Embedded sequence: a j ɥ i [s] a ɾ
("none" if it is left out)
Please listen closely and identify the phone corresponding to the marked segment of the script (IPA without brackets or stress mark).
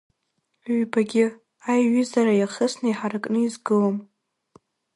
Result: z